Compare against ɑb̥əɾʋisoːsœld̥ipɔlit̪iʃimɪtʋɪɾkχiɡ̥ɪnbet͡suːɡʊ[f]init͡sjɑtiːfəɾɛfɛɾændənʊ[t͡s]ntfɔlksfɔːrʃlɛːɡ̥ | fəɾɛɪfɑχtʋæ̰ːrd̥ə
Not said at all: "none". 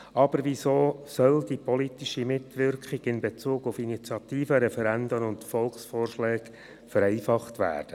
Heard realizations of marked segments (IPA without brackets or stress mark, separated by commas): f, none